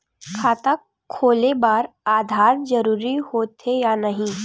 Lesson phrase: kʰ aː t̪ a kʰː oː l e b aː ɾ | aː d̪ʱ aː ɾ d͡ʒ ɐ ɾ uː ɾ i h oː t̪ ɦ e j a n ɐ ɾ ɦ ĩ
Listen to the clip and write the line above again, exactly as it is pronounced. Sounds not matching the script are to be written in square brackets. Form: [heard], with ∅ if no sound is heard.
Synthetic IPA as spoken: kʰ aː t̪ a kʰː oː l e b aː ɾ | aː d̪ʱ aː ɾ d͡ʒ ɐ ɾ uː ɾ i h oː t̪ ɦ e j a n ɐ [∅] ɦ ĩ